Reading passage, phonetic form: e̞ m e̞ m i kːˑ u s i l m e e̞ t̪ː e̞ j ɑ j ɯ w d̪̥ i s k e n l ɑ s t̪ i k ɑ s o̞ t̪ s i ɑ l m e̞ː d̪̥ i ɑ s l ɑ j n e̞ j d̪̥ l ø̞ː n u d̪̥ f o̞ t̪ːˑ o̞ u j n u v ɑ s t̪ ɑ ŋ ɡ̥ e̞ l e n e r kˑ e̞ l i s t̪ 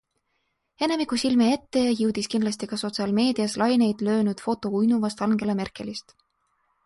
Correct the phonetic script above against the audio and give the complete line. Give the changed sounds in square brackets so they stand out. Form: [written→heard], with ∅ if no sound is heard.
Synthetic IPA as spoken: e̞ [m→n] e̞ m i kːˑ u s i l m e e̞ t̪ː e̞ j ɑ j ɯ w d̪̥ i s k [e→i] n l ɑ s t̪ i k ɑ s o̞ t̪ s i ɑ l m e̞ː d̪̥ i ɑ s l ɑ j n e̞ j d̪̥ l ø̞ː n u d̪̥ f o̞ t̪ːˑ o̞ u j n u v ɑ s t̪ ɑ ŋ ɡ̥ e̞ l e [n→m] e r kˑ e̞ l i s t̪